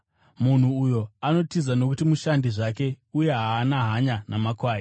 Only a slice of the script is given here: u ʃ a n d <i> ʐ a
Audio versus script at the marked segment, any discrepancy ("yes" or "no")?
no